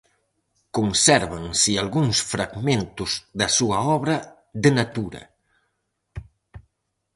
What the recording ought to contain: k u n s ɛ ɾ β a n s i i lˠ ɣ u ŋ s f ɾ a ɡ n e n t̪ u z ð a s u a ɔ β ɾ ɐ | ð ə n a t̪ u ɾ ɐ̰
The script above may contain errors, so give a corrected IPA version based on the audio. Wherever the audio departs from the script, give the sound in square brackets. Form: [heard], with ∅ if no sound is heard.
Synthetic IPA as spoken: k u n s ɛ ɾ β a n s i [a] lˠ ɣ u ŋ s f ɾ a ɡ [m] e n t̪ u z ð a s u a ɔ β ɾ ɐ | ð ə n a t̪ u ɾ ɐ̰